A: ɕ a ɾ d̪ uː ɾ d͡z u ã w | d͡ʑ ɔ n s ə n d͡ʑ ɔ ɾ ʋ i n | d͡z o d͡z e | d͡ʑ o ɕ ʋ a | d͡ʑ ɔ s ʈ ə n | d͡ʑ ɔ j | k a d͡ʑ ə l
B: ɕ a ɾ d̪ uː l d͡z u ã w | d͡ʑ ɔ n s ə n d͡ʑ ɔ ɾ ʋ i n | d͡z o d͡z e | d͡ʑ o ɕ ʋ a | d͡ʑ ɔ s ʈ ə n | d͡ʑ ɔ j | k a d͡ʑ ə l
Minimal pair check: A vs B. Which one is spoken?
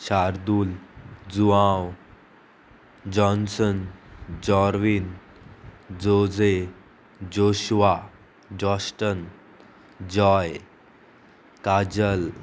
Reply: B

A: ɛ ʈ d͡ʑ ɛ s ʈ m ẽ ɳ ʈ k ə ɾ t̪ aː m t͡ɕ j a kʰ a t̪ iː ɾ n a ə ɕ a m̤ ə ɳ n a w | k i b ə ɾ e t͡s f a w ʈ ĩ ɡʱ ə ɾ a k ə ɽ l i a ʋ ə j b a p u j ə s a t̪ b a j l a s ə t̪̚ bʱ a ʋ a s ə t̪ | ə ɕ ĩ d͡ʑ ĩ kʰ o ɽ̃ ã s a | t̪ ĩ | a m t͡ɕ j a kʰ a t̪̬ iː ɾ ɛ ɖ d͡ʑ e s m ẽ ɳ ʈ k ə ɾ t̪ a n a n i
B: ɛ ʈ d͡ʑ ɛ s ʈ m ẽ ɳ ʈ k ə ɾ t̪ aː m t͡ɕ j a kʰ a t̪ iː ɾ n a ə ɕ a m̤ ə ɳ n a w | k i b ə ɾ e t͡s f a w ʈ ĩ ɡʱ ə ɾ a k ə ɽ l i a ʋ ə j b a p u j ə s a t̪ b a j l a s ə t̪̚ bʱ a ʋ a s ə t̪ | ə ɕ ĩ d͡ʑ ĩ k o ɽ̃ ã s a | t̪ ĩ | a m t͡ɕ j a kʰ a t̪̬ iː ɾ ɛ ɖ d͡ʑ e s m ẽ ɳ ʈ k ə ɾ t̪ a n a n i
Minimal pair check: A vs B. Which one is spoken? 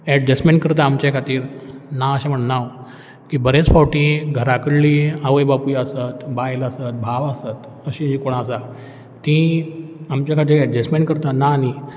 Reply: B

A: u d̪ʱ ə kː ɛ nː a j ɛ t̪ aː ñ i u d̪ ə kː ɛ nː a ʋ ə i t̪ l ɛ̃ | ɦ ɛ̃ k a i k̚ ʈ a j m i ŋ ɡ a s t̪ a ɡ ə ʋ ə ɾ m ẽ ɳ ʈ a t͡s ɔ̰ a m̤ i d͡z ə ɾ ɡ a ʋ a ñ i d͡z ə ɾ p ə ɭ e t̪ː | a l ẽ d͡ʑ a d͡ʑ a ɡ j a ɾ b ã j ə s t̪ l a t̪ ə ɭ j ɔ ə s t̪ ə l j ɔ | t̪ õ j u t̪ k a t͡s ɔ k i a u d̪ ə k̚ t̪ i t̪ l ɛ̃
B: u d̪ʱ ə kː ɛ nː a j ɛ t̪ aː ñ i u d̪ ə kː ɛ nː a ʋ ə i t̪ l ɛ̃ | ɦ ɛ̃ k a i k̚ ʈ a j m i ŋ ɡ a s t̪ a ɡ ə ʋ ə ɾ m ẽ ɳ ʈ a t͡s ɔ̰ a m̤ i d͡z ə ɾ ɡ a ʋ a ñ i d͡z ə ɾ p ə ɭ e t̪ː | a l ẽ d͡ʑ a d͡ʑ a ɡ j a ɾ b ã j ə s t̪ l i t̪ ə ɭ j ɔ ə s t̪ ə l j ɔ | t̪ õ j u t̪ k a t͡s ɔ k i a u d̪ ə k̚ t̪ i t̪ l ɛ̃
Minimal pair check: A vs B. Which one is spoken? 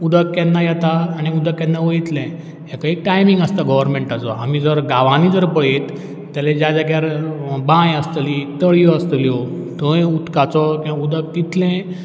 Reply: B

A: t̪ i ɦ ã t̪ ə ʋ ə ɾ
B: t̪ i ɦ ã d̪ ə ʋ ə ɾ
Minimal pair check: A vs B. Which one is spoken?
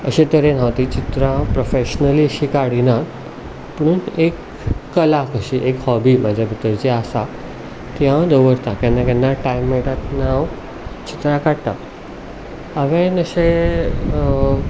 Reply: B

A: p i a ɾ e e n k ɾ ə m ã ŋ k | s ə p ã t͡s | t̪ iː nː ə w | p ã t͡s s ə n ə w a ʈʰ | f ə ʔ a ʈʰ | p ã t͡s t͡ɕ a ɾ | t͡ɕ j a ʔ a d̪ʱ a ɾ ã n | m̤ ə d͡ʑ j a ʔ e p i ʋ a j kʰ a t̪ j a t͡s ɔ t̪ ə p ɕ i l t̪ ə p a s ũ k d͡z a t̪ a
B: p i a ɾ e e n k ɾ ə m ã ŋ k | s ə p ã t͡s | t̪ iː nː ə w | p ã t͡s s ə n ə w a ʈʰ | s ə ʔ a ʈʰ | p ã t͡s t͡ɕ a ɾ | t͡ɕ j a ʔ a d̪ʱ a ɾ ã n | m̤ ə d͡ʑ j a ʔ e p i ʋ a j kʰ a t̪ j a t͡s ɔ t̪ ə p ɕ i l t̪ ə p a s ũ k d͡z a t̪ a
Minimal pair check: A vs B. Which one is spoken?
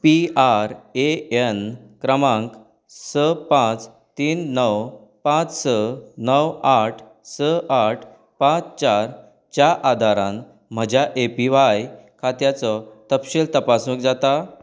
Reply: B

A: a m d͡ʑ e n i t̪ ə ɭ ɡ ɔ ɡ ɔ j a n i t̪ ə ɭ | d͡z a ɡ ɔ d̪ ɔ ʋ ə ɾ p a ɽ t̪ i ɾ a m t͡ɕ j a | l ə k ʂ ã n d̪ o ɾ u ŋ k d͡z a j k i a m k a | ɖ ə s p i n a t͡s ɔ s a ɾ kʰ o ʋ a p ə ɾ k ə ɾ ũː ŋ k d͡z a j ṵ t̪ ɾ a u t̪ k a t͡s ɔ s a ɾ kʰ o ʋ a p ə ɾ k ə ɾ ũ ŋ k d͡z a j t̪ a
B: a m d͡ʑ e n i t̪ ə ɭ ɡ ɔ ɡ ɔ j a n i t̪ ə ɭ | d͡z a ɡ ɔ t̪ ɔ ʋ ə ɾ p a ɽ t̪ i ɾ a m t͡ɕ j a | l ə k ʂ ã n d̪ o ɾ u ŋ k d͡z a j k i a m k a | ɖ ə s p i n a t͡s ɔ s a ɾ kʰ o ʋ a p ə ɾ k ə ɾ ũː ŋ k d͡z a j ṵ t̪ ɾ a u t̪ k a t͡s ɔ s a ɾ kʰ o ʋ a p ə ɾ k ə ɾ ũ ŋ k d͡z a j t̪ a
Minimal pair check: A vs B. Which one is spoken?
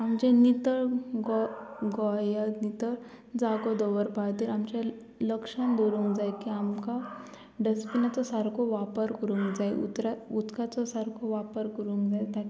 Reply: A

